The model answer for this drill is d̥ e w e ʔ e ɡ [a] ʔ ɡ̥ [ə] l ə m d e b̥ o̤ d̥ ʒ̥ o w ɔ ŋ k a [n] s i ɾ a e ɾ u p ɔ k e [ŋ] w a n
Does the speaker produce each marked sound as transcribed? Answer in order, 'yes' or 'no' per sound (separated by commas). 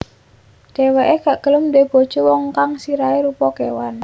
yes, yes, no, no